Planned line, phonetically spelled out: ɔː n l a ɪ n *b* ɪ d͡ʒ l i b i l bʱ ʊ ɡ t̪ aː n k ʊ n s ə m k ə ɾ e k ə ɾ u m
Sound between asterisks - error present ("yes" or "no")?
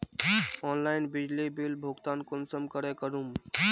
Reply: no